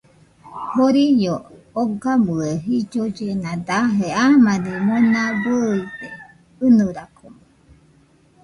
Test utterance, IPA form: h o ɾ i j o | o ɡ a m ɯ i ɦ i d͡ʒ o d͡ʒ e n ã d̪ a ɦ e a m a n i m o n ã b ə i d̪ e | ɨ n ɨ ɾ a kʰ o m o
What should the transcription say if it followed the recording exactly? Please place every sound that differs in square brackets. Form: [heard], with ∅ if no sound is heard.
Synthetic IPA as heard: h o ɾ i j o | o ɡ a m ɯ [e] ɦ i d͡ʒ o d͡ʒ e n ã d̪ a ɦ e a m a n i m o n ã b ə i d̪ e | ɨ n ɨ ɾ a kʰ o m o